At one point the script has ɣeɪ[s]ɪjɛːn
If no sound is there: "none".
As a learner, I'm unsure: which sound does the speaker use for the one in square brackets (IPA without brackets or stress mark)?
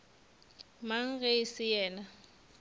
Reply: s